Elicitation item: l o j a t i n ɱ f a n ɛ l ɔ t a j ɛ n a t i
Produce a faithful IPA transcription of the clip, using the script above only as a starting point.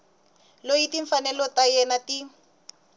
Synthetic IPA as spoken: l o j i t i ɱ f a n ɛ l ɔ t a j ɛ n a t i